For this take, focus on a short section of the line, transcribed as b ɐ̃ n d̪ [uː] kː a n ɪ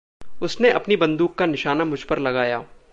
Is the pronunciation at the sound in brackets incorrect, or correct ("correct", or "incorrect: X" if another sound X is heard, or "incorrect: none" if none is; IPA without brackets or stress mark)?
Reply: correct